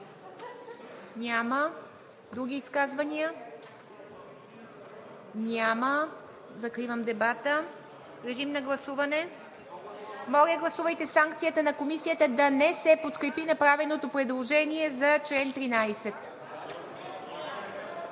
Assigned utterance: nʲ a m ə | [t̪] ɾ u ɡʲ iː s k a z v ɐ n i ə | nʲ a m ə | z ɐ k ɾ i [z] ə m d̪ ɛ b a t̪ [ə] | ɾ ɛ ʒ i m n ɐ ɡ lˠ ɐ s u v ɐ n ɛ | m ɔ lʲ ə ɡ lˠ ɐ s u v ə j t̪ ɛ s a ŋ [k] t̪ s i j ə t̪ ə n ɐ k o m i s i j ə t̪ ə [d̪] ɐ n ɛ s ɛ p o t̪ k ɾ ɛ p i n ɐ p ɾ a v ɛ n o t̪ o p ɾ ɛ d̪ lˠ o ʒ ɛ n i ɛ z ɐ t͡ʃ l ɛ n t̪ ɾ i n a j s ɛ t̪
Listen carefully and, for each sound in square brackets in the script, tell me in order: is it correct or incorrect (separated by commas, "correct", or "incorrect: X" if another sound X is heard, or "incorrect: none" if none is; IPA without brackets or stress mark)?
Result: incorrect: d̪, incorrect: v, correct, correct, correct